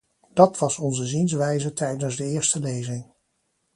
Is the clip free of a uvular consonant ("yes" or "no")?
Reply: yes